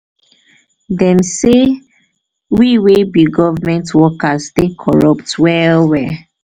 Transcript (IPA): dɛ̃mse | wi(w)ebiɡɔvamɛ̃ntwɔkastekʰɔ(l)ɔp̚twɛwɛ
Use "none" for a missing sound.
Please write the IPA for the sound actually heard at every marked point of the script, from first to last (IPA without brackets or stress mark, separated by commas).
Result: w, ɹ